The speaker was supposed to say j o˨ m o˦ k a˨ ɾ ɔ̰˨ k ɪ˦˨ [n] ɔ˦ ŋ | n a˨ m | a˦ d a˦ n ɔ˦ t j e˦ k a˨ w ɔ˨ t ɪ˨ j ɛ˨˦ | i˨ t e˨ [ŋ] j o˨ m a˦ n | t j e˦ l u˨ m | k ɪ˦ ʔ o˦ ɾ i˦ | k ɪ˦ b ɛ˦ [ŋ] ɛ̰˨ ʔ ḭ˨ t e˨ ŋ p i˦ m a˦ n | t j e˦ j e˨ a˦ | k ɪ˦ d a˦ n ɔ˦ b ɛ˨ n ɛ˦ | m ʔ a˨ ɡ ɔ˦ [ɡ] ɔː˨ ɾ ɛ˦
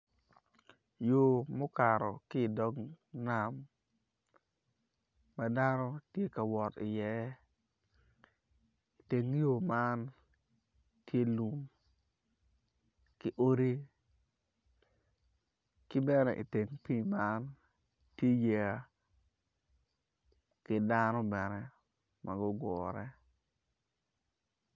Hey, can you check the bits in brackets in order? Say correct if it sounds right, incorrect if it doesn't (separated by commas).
incorrect, correct, incorrect, correct